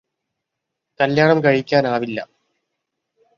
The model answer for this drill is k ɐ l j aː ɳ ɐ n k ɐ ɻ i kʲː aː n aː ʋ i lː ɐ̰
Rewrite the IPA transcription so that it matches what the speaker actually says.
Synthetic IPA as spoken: k ɐ l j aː ɳ ɐ m k ɐ ɻ i kʲː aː n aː ʋ i lː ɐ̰